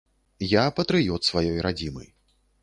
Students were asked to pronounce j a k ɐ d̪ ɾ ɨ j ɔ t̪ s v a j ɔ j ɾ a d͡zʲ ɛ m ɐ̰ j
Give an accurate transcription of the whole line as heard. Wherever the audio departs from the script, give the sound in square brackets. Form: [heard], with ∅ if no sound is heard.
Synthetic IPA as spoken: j a [p] ɐ [t̪] ɾ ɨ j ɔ t̪ s v a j ɔ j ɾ a d͡zʲ [i] m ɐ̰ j